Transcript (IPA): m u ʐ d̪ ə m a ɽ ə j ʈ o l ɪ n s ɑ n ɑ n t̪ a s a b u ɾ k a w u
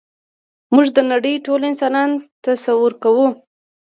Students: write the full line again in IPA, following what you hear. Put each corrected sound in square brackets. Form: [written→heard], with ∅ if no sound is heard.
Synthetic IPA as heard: m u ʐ d̪ ə [m→n] a ɽ ə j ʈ o l ɪ n s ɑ n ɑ n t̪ a s a [b→w] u ɾ k a w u